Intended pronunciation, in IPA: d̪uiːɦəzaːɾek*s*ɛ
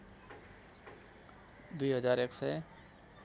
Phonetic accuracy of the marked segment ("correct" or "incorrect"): correct